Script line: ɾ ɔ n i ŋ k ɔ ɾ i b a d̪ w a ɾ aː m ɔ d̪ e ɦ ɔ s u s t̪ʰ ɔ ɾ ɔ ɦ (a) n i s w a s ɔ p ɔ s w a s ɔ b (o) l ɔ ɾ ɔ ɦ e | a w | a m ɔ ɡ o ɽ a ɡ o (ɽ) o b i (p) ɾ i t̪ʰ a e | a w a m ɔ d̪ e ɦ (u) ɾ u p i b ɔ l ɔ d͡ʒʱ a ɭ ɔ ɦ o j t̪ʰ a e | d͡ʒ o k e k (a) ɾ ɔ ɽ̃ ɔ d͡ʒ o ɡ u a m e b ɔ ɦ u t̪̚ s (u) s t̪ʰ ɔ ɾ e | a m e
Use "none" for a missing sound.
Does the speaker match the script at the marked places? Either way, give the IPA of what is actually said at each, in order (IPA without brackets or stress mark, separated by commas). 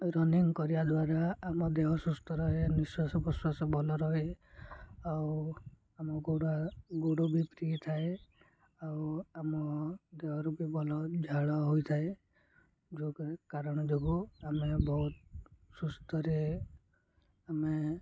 e, ɔ, ɽ, p, ɔ, a, u